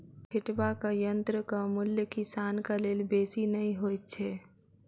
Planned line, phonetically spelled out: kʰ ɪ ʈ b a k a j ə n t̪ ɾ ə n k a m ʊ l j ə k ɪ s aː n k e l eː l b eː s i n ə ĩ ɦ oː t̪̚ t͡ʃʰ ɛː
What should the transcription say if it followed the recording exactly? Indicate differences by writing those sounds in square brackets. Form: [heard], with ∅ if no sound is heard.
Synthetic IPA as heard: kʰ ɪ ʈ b a k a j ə n t̪ ɾ ə [∅] k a m ʊ l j ə k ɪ s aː n k [a] l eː l b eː s i n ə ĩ ɦ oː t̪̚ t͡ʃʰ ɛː